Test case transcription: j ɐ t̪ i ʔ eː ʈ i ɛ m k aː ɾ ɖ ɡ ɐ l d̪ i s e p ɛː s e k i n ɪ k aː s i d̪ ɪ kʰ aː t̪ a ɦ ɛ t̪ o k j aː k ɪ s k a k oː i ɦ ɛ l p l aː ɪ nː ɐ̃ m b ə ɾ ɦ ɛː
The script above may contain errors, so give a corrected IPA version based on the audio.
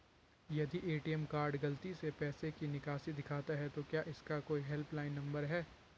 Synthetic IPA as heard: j ɐ d̪ i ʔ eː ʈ i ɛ m k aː ɾ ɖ ɡ ɐ l t̪ i s e p ɛː s e k i n ɪ k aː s i d̪ ɪ kʰ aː t̪ a ɦ ɛ t̪ o k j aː ʔ ɪ s k a k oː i ɦ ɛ l p l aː ɪ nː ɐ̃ m b ə ɾ ɦ ɛː